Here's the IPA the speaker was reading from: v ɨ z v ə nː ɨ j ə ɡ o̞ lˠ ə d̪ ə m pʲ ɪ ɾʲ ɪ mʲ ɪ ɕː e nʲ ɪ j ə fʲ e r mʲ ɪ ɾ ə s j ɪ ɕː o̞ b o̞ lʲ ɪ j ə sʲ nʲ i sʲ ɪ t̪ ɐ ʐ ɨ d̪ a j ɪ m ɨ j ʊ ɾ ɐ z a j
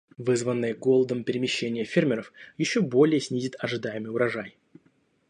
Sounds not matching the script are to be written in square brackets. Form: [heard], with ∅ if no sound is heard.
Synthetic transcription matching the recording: v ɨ z v ə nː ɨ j ə ɡ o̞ lˠ ə d̪ ə m pʲ ɪ ɾʲ ɪ mʲ ɪ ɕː e nʲ ɪ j ə fʲ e r mʲ ɪ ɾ ə [f] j ɪ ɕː o̞ b o̞ lʲ ɪ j ə sʲ nʲ i [zʲ] ɪ t̪ ɐ ʐ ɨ d̪ a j ɪ m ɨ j ʊ ɾ ɐ [ʐ] a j

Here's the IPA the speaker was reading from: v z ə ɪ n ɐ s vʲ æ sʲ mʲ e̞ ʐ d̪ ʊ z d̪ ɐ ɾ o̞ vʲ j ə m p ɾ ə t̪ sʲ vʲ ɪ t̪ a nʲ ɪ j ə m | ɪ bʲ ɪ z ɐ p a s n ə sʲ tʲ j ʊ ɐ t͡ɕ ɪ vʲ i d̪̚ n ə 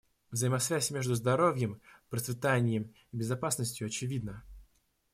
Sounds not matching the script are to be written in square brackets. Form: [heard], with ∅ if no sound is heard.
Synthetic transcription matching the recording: v z ə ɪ [m] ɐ s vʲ æ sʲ mʲ e̞ ʐ d̪ ʊ z d̪ ɐ ɾ o̞ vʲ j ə m p ɾ ə t̪ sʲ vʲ ɪ t̪ a nʲ ɪ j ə m | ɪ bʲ ɪ z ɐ p a s n ə sʲ tʲ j ʊ ɐ t͡ɕ ɪ vʲ i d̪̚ n ə

